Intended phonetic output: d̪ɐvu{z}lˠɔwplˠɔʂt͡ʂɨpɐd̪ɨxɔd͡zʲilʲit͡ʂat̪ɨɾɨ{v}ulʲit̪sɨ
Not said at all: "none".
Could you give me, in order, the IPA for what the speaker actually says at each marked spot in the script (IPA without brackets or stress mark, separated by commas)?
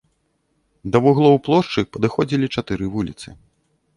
ɣ, v